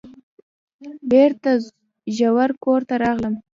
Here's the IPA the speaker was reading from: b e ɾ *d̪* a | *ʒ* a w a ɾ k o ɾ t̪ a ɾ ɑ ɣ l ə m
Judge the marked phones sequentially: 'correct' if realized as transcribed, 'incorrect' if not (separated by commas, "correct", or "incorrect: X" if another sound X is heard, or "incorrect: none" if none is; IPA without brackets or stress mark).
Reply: incorrect: t̪, correct